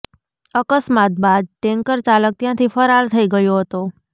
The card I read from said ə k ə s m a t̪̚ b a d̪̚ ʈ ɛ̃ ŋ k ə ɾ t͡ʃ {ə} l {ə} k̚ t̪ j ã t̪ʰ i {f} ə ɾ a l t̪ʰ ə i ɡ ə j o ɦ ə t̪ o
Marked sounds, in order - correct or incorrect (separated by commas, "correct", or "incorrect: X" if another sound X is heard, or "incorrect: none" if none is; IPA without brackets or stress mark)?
incorrect: a, correct, correct